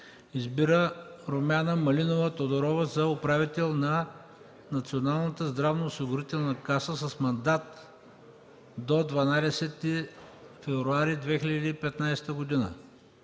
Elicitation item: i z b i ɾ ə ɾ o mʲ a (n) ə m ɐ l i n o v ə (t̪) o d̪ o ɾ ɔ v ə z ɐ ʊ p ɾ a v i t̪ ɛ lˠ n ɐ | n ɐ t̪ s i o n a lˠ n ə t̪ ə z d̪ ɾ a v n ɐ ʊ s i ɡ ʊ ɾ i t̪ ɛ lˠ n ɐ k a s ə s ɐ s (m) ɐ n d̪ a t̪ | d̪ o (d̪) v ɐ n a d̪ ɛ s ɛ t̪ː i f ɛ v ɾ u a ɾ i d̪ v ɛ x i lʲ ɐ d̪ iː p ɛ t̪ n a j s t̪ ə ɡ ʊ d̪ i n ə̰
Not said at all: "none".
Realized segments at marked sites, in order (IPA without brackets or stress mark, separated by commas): n, t̪, m, d̪